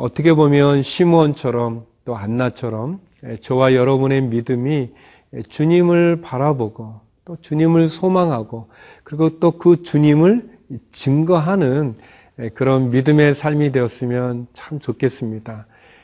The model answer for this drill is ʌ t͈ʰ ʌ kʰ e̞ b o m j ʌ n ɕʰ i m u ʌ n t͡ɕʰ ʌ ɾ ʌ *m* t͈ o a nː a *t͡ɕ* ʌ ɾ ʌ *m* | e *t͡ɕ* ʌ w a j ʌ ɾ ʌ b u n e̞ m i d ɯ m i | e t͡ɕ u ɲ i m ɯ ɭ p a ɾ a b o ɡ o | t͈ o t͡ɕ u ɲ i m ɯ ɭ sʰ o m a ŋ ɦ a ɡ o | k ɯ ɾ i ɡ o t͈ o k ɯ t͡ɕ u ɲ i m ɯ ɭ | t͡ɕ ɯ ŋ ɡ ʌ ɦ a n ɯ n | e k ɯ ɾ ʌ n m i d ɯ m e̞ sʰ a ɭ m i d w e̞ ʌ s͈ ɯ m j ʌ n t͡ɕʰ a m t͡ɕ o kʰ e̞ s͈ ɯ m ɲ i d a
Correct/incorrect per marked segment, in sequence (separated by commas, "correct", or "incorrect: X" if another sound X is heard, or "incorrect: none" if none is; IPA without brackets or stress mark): correct, incorrect: t͡ɕʰ, correct, correct